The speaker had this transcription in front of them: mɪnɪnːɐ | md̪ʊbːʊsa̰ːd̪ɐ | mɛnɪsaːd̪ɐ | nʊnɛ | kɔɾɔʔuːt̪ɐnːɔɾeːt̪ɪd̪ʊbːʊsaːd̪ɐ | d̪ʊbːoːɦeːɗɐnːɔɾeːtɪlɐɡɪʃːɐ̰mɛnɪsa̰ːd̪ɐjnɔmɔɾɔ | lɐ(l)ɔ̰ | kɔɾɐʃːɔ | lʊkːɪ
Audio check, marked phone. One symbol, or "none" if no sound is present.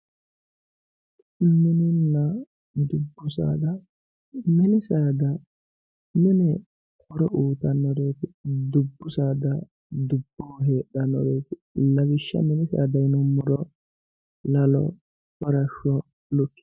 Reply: l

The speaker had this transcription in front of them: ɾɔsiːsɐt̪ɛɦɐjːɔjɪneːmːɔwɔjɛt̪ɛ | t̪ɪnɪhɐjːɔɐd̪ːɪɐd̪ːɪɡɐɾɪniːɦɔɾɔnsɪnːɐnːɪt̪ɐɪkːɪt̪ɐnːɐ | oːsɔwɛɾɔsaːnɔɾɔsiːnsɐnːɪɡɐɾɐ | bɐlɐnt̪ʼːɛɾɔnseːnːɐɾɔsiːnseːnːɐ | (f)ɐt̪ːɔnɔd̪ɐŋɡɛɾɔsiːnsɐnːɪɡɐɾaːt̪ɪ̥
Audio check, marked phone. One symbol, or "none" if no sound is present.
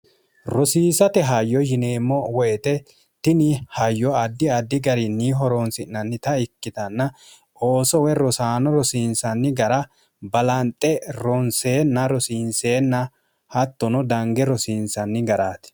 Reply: h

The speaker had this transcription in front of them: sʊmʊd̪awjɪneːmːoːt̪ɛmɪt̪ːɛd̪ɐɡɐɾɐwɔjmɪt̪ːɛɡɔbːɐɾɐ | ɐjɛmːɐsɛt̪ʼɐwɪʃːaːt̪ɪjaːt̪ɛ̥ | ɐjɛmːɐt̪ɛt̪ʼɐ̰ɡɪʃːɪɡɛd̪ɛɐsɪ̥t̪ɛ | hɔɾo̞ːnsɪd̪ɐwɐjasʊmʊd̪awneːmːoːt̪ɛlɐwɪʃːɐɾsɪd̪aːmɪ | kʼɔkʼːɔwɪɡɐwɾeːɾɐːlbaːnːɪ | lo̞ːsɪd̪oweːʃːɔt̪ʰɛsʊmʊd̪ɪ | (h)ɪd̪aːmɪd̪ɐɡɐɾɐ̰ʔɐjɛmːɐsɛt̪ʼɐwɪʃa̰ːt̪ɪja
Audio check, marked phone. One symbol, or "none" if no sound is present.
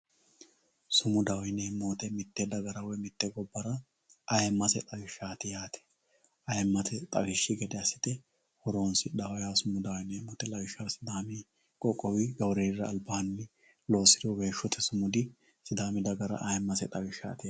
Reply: s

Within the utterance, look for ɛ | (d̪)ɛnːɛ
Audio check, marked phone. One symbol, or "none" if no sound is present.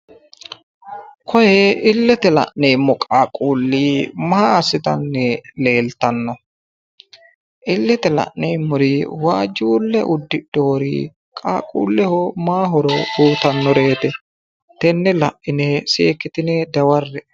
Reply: t̪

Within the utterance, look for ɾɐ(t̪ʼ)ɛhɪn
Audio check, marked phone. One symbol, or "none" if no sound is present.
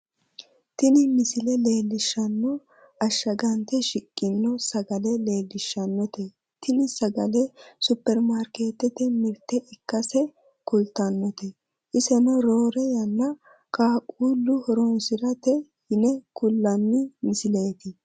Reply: t̪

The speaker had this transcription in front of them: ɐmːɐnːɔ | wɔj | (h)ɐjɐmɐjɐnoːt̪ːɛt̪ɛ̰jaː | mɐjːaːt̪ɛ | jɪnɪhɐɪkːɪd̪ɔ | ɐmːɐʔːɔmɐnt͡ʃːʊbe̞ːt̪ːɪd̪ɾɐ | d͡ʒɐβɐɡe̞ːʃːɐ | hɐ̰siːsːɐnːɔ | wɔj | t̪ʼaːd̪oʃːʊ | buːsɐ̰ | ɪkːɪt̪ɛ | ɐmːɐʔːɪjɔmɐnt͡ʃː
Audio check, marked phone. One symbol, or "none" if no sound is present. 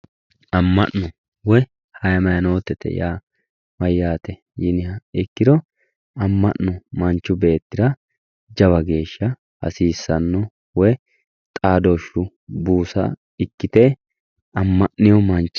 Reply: h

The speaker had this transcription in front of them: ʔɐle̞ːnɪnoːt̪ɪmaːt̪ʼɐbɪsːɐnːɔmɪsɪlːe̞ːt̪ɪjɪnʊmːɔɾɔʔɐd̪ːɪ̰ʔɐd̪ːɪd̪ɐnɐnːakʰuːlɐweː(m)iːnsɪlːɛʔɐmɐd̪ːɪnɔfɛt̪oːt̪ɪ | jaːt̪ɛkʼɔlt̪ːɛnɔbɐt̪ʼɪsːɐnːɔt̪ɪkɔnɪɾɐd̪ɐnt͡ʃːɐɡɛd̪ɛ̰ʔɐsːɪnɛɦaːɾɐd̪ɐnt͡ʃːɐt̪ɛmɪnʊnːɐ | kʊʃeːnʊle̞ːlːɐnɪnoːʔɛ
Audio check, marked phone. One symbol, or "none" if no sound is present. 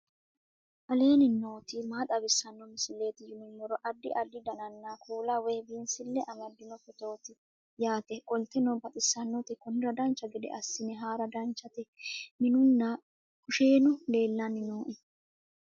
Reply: b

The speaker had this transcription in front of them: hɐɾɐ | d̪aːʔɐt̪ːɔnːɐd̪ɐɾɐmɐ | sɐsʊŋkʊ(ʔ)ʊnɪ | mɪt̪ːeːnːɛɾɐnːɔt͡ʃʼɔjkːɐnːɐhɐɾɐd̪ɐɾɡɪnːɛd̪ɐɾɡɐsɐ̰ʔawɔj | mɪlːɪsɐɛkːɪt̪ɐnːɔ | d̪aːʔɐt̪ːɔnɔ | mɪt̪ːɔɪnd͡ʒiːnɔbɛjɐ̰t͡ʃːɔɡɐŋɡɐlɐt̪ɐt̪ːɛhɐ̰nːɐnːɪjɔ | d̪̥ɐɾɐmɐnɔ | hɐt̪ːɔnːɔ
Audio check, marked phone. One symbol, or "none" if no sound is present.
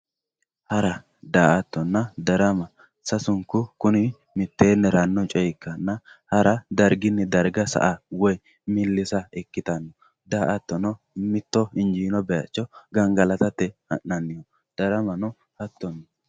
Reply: k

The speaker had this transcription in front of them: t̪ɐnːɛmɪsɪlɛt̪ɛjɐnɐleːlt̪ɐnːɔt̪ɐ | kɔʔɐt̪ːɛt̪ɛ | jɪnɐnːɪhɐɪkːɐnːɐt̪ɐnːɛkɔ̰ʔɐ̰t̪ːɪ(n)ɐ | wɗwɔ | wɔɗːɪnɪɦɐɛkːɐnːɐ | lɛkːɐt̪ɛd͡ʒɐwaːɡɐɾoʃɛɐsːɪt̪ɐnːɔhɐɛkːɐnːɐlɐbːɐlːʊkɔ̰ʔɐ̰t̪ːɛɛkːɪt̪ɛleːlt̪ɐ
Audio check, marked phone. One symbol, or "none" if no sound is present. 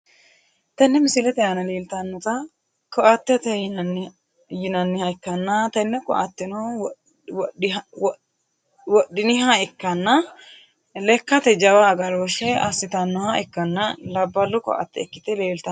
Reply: n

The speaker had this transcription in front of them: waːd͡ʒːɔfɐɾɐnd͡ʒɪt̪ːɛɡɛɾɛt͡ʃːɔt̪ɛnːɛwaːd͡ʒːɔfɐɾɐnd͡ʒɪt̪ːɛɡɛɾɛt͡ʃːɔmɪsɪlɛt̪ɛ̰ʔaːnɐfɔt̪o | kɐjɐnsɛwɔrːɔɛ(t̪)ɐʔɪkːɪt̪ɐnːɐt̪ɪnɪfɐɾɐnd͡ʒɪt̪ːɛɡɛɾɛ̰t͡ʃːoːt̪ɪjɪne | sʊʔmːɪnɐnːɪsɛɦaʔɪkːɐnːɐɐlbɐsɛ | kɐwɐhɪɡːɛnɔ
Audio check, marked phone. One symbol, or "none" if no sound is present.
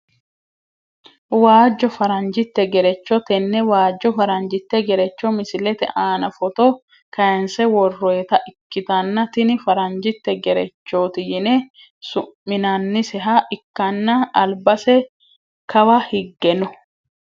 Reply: t̪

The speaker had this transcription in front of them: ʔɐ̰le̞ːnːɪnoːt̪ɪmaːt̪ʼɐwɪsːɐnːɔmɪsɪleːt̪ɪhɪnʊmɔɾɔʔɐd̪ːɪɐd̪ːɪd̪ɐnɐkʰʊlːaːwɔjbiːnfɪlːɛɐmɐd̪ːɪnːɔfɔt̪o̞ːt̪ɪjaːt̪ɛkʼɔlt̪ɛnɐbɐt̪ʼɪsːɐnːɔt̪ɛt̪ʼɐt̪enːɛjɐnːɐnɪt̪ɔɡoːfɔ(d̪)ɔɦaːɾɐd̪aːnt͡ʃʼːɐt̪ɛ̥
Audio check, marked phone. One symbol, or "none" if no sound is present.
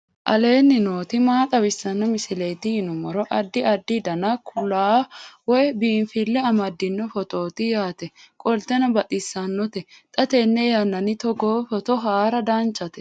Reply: t̪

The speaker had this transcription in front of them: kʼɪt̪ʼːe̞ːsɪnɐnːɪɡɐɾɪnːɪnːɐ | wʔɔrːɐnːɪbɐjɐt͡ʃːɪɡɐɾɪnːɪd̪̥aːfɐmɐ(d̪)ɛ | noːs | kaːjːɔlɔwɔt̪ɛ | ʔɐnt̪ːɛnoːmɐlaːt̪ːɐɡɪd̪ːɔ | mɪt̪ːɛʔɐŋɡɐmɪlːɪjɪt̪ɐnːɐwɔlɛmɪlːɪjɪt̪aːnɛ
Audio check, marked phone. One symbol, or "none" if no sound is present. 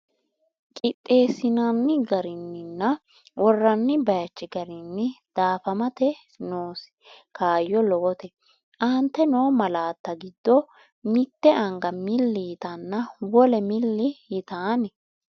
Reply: t̪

